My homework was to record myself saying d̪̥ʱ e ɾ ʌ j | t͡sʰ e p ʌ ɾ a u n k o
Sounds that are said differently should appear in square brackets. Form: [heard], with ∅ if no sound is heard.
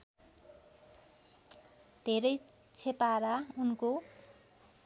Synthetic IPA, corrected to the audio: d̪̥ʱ e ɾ ʌ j | t͡sʰ e p [a] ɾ a u n k o